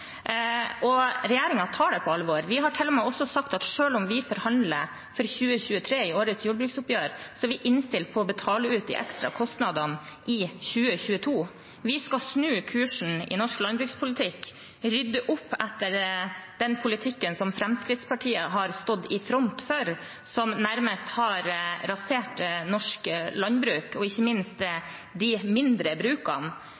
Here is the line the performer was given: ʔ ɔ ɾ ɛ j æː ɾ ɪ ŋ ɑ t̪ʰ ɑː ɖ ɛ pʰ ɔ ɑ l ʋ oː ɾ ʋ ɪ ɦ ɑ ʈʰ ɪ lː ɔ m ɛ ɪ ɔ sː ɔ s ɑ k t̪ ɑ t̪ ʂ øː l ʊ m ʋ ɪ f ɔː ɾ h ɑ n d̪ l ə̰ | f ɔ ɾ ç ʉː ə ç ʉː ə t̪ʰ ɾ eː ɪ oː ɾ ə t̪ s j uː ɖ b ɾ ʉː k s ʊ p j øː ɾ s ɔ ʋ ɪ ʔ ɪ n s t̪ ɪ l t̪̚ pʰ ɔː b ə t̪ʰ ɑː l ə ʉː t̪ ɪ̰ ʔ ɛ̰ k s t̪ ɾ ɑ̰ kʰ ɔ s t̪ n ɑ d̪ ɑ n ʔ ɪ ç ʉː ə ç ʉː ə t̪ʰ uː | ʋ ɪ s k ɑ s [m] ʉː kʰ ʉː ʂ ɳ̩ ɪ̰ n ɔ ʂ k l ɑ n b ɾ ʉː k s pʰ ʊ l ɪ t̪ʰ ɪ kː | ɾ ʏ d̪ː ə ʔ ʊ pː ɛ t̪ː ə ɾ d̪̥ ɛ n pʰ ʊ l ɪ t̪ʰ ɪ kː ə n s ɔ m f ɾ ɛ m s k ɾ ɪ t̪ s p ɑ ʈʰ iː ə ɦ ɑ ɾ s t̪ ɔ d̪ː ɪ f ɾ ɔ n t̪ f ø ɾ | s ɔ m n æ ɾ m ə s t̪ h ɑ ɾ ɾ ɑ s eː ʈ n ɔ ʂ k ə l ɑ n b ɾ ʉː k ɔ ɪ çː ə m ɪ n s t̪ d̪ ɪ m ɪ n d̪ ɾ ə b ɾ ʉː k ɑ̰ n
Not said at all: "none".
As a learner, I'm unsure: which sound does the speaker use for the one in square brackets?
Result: n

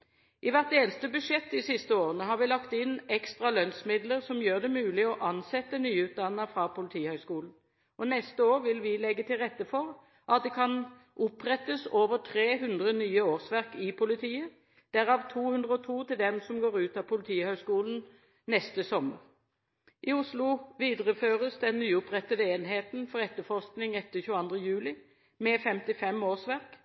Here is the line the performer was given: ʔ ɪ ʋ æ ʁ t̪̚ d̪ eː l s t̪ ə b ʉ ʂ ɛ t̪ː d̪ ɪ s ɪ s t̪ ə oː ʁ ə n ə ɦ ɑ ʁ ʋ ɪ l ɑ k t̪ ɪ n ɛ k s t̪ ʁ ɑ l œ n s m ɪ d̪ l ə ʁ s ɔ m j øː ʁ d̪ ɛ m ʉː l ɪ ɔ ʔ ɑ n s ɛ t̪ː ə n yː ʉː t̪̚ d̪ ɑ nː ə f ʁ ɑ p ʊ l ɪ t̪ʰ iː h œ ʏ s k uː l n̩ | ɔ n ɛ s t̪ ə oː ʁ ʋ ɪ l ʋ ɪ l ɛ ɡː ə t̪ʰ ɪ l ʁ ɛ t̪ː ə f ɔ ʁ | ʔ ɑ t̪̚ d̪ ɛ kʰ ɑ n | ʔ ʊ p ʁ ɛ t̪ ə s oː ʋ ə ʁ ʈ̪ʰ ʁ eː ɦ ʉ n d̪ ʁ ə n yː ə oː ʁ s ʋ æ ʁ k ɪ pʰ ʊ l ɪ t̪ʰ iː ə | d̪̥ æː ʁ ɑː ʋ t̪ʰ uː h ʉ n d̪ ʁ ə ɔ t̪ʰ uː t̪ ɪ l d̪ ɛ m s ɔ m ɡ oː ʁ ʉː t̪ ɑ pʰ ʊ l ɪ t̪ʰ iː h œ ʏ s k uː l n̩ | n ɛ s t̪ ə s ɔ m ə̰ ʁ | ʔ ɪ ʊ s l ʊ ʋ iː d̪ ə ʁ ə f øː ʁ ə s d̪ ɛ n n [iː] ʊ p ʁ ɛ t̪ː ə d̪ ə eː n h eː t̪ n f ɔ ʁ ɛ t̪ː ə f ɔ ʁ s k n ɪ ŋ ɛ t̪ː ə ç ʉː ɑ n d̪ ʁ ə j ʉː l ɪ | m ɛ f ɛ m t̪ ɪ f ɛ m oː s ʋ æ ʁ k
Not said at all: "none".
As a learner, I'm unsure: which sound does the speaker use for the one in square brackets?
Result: yː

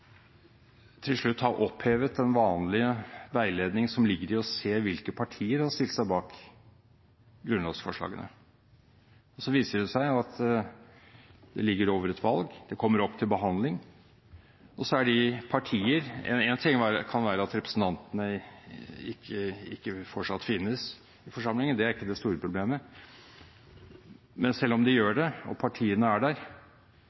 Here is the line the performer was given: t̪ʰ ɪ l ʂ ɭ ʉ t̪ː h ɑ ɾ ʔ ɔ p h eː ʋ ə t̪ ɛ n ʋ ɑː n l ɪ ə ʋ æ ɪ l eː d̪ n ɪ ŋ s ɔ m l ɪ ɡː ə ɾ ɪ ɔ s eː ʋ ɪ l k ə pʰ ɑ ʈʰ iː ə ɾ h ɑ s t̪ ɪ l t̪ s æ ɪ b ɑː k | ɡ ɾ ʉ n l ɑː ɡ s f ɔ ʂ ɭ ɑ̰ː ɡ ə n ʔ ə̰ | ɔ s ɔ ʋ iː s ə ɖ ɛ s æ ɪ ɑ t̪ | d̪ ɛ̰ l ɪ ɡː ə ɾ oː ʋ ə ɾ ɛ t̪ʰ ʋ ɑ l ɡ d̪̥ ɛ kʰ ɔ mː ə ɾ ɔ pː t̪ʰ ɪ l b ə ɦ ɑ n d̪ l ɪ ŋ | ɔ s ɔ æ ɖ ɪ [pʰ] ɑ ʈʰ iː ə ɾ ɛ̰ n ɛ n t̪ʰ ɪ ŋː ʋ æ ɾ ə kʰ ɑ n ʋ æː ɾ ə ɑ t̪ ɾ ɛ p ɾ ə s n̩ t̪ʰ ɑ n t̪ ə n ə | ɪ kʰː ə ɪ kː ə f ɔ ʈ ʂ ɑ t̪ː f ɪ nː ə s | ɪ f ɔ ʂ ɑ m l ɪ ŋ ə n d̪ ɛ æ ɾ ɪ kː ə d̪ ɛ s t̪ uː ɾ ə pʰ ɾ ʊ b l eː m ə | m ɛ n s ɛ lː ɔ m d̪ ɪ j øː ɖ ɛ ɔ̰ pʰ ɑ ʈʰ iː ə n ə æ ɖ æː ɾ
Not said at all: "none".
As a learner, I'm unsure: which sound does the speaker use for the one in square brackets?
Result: pʰ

